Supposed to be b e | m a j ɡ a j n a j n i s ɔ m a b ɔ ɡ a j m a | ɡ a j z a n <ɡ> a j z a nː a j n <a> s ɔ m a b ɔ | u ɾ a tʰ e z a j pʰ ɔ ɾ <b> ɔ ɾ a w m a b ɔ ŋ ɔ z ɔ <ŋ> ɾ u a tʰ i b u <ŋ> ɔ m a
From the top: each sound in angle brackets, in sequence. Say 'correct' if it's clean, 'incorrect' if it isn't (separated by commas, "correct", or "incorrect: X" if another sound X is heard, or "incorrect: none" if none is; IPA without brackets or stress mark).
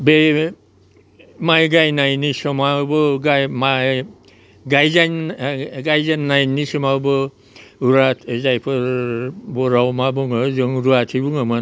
correct, incorrect: i, correct, correct, correct